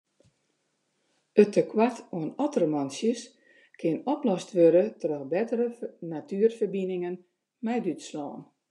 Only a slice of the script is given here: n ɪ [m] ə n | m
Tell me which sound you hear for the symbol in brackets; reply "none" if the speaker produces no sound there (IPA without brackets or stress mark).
ŋ